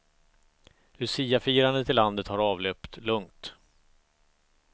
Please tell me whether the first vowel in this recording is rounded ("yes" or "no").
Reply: yes